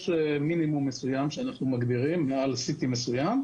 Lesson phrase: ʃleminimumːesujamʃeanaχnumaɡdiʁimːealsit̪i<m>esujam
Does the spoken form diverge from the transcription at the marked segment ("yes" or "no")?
no